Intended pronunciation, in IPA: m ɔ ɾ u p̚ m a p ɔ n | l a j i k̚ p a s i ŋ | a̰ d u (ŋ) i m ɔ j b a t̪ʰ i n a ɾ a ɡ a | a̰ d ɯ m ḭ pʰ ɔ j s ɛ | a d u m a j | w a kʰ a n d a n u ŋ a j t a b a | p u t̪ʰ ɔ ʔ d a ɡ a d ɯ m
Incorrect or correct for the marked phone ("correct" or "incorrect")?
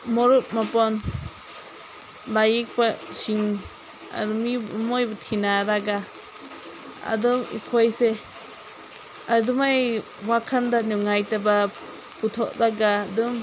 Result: incorrect